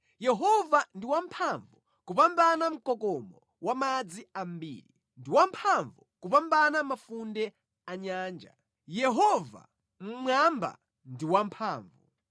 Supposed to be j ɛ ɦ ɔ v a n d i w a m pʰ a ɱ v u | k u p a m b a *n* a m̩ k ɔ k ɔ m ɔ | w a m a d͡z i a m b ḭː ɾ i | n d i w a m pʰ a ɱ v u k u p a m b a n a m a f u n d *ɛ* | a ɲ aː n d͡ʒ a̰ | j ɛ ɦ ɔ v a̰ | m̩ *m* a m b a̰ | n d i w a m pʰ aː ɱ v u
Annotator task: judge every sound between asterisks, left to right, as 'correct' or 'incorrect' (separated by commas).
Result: correct, correct, correct